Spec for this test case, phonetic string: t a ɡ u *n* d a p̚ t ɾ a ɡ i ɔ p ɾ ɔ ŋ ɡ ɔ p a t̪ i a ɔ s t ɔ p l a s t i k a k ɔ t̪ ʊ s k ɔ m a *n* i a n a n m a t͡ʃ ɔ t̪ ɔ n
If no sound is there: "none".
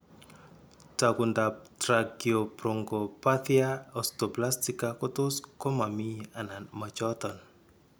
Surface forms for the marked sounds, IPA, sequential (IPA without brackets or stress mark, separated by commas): n, m